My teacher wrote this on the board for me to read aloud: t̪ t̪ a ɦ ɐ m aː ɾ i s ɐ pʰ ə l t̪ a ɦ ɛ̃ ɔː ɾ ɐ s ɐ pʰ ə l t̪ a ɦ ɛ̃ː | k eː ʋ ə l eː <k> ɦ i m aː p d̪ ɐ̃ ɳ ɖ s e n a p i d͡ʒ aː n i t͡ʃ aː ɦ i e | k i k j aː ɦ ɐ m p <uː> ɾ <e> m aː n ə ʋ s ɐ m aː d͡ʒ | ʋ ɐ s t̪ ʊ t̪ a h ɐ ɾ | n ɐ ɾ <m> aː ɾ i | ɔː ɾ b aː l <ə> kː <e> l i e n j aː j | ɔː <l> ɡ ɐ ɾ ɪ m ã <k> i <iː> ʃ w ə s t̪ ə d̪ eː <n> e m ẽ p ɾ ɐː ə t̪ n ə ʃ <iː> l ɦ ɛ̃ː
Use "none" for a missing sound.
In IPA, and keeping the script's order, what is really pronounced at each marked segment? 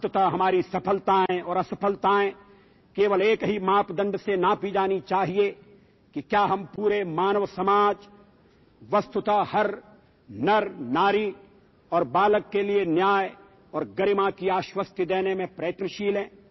k, uː, e, n, ə, e, ɾ, k, aː, n, iː

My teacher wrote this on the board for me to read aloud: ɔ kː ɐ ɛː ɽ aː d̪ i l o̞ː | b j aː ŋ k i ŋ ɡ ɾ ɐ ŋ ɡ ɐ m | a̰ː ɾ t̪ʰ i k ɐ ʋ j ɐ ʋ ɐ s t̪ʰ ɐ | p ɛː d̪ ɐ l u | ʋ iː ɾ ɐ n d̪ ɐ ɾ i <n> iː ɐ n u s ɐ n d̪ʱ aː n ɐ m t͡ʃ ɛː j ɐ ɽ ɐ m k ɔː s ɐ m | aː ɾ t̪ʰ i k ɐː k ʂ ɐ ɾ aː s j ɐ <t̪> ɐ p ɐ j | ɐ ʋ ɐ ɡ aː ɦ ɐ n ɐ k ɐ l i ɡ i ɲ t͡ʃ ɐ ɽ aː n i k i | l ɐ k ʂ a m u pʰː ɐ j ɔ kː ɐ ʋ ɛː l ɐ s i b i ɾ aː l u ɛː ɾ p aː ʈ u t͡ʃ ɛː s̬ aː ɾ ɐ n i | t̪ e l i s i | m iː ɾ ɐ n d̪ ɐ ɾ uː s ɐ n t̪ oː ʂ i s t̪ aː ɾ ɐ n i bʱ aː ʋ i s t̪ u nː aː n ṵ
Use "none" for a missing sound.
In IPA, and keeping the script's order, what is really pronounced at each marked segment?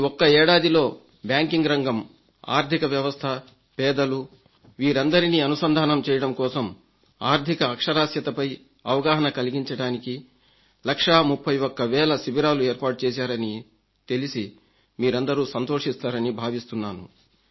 n, t̪

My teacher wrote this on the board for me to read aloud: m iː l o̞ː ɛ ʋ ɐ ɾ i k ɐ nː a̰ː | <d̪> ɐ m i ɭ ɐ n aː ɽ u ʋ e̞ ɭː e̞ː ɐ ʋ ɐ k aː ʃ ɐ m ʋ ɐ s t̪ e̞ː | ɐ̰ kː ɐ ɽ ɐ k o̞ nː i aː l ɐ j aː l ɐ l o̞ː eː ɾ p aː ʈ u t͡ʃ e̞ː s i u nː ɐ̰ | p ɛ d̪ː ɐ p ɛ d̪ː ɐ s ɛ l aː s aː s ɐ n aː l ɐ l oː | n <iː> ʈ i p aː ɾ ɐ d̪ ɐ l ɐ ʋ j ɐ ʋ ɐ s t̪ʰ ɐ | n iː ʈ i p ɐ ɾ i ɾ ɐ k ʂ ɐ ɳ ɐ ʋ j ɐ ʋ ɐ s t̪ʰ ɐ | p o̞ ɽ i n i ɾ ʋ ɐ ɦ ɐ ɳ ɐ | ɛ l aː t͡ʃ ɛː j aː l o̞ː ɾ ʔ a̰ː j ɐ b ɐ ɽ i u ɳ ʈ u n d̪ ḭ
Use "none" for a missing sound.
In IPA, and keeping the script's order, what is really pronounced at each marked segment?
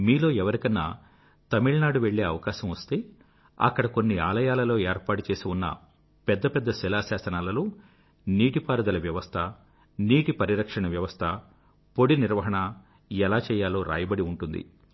t̪, iː

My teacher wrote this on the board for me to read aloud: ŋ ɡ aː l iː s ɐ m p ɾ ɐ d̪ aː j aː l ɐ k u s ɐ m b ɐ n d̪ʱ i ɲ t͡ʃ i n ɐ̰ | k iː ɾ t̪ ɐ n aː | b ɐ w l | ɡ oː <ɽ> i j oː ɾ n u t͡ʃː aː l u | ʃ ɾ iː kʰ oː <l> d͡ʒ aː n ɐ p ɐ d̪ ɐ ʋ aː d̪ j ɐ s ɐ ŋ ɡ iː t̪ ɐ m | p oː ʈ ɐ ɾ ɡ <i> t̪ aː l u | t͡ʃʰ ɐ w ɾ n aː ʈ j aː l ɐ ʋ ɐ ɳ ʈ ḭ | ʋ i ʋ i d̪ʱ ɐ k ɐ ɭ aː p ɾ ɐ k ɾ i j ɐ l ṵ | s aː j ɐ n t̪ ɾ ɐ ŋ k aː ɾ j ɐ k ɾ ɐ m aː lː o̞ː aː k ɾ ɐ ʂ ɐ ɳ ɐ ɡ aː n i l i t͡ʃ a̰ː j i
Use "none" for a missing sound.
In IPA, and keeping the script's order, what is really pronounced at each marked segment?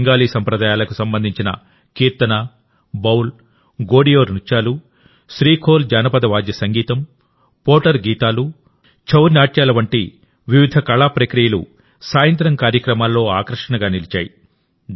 ɽ, l, iː

